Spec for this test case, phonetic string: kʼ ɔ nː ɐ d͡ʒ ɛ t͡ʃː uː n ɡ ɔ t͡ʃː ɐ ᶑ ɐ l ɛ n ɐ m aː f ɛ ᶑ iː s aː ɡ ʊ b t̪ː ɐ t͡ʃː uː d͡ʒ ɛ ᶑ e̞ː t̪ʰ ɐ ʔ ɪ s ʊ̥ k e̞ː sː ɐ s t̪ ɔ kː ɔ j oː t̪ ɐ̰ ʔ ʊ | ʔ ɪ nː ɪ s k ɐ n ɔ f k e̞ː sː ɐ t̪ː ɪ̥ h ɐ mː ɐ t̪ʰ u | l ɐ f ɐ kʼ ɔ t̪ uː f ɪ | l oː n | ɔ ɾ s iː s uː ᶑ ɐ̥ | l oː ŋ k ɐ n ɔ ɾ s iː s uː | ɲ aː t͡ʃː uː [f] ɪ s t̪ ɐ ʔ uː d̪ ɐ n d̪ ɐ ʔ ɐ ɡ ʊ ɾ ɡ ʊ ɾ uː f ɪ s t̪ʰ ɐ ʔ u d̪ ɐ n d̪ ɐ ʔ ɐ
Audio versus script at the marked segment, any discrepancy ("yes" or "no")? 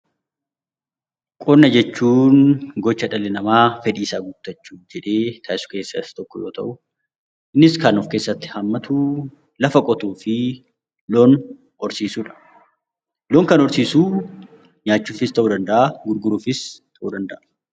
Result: no